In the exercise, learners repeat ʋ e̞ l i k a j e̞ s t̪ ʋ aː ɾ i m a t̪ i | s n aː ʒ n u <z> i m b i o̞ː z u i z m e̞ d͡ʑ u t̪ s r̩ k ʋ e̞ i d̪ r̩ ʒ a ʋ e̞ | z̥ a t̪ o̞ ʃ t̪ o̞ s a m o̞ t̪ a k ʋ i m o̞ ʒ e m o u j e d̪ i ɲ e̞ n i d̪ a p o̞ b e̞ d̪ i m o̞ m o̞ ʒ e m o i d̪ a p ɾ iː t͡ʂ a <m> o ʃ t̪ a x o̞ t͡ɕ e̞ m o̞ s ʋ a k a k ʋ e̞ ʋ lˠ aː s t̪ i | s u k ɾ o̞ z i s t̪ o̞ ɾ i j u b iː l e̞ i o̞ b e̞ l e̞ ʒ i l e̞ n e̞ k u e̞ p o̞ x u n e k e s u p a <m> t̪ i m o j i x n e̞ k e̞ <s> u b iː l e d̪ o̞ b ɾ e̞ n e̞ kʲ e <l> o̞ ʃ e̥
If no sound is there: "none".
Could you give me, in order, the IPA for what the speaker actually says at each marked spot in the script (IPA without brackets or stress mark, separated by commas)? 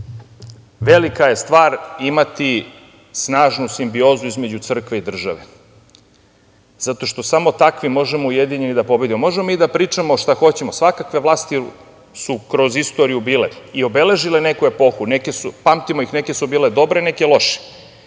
s, m, m, s, l